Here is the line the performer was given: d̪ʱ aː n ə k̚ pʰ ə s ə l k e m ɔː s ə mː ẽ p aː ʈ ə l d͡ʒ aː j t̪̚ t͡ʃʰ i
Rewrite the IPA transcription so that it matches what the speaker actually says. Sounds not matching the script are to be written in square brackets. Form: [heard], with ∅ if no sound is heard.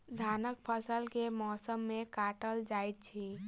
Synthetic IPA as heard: d̪ʱ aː n ə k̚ pʰ ə s ə l k e m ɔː s ə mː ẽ [k] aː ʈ ə l d͡ʒ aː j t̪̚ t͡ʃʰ i